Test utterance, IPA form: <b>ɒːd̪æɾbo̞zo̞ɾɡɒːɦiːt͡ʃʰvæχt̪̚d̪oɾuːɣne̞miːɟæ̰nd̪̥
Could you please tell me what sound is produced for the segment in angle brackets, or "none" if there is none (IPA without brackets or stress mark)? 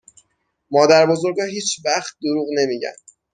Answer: m